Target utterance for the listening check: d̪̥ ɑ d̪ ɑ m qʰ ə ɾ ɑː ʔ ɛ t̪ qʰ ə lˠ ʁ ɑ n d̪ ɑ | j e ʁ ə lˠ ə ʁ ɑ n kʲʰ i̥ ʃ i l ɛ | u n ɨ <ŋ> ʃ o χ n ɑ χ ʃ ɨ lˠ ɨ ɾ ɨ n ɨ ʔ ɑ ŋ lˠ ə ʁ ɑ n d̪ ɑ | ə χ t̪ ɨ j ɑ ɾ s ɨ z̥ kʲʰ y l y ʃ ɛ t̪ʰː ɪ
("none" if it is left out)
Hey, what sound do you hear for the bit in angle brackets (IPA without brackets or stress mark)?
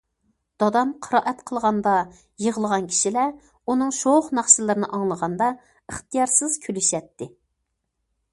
ŋ